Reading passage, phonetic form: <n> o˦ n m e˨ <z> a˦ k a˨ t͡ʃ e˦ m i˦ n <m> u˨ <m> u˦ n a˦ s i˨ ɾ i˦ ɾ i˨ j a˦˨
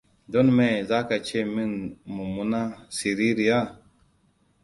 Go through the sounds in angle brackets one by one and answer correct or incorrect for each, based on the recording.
incorrect: d, correct, correct, correct

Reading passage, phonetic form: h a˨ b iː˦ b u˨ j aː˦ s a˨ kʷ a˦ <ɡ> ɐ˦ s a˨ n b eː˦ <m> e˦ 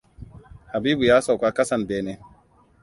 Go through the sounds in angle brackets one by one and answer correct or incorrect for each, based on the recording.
incorrect: k, incorrect: n

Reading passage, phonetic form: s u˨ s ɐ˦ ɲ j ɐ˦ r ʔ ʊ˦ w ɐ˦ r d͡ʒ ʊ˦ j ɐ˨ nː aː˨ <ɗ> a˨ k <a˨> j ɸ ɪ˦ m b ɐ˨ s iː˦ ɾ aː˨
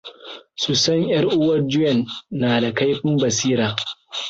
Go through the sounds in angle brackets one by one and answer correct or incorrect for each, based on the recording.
incorrect: d, incorrect: a˦

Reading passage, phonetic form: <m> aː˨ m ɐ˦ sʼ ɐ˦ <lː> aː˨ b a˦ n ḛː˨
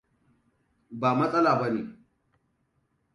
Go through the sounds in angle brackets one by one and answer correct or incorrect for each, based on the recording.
incorrect: b, incorrect: l

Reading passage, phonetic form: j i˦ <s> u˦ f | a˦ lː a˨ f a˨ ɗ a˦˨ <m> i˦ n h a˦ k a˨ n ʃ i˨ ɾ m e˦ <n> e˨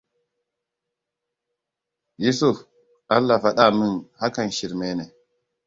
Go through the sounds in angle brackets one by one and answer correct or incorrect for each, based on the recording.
correct, correct, correct

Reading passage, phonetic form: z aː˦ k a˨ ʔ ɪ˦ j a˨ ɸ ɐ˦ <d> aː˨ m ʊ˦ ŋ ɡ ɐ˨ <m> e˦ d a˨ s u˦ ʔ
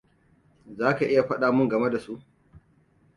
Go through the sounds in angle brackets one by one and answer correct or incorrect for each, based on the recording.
incorrect: ɗ, correct

